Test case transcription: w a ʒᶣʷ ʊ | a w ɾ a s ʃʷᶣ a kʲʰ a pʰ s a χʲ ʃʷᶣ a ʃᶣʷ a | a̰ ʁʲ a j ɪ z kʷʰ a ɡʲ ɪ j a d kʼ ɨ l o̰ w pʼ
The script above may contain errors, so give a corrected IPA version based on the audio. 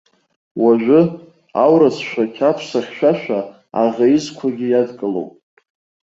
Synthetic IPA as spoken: w a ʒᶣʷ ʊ | a w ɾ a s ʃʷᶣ a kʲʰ a pʰ s a χʲ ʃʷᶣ a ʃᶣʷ a | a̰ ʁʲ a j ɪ z kʷʰ a ɡʲ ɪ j a d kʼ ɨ l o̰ w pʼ

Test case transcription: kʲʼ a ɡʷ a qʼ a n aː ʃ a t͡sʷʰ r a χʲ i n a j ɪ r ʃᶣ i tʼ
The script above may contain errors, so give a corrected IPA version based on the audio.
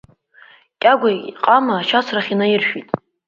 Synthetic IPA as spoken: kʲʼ a ɡʷ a qʼ a m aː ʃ a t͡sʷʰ r a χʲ i n a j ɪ r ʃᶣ i tʼ

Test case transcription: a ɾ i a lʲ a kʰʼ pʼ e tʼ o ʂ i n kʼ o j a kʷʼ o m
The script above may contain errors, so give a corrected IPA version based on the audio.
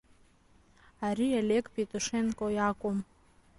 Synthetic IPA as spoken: a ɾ i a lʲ e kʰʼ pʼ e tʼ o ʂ e n kʼ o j a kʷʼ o m

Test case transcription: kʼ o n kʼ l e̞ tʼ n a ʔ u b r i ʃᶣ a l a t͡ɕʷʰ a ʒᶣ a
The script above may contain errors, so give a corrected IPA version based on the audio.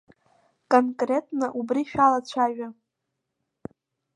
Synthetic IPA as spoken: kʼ o n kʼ r e̞ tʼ n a ʔ u b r i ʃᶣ a l a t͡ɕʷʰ a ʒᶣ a

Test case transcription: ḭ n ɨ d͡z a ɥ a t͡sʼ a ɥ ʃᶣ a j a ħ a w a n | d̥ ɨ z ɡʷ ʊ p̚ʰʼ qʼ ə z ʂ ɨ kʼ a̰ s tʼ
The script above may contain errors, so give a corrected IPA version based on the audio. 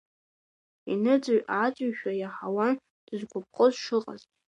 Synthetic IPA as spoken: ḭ n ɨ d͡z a ɥ a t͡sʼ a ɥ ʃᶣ a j a ħ a w a n | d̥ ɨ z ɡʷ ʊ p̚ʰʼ qʼ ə z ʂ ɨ qʼ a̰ z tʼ

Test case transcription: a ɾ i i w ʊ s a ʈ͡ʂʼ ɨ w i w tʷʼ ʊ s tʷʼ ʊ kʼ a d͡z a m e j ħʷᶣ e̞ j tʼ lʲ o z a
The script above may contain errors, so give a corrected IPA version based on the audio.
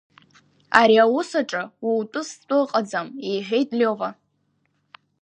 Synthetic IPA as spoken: a ɾ i a w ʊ s a ʈ͡ʂʼ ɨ w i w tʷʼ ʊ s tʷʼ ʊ qʼ a d͡z a m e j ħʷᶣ e̞ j tʼ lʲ o v a

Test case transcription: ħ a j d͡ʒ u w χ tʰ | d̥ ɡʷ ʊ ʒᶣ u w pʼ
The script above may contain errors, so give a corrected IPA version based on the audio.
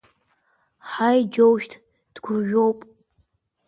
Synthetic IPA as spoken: ħ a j d͡ʒ o w ʃ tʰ | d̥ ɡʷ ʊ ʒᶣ o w pʼ

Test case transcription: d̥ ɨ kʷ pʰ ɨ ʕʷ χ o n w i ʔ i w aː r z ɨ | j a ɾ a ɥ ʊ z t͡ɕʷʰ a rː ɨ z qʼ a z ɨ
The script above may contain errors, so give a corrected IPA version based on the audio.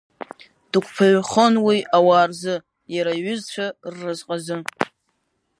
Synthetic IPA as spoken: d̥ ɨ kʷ pʰ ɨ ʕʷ χ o n w i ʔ a w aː r z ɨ | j a ɾ a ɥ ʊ z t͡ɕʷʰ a rː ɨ z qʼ a z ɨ

